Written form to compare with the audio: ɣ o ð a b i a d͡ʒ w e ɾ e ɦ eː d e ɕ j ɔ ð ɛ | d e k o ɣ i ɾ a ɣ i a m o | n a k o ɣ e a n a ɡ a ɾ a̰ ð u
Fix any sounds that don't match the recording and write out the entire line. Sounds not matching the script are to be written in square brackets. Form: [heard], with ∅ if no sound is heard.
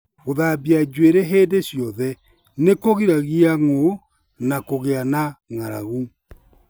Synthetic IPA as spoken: ɣ o ð a b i a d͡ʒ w e ɾ e ɦ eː d e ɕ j ɔ ð ɛ | [n] e k o ɣ i ɾ a ɣ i a [ŋ] o | n a k o ɣ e a n a [ŋ] a ɾ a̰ [ɣ] u